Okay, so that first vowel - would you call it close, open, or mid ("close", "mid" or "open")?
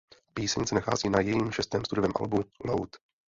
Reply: close